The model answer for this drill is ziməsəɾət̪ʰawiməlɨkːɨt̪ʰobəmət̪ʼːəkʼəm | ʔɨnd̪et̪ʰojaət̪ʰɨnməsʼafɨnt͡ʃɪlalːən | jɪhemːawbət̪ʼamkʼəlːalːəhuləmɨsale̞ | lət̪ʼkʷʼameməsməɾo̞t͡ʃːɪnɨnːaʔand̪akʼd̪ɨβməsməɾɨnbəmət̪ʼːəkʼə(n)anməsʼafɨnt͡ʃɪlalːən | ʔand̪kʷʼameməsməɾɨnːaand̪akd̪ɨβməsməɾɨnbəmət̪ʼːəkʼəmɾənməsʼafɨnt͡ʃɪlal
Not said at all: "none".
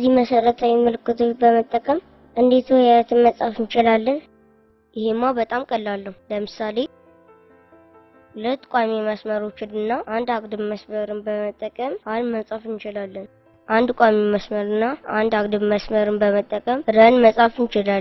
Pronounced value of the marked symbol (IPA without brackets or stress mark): m